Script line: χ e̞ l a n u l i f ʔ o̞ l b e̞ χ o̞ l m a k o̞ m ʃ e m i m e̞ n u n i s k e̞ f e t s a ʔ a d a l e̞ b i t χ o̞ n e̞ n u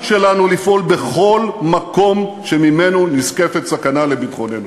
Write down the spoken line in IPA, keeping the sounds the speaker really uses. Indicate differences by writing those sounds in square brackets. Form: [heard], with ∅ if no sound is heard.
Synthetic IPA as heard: [ʃ] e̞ l a n u l i f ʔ o̞ l b e̞ χ o̞ l m a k o̞ m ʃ e m i m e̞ n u n i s k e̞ f e t s a [k] a [n] a l e̞ b i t χ o̞ n e̞ n u